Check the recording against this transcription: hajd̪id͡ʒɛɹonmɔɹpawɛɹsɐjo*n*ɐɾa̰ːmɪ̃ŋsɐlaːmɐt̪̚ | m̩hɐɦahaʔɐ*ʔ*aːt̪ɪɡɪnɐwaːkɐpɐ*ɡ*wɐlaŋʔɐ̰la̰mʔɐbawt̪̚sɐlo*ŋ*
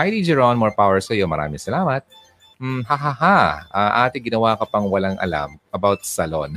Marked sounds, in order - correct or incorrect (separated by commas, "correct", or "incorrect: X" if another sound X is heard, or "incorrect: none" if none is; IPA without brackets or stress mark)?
incorrect: m, correct, incorrect: ŋ, incorrect: n